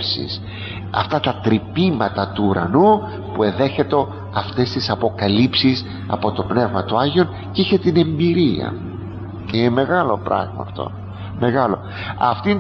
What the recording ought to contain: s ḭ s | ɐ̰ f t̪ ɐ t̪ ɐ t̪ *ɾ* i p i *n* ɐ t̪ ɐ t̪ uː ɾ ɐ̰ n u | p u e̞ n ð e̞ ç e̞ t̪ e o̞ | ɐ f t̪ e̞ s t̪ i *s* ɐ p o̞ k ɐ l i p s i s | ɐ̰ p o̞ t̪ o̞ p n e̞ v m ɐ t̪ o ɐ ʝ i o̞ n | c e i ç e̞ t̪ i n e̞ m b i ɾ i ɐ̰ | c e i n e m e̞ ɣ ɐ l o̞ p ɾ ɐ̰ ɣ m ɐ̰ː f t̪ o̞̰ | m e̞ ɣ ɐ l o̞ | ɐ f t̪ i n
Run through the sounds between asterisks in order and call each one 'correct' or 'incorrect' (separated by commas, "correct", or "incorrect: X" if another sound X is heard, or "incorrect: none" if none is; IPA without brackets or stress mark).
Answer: correct, incorrect: m, correct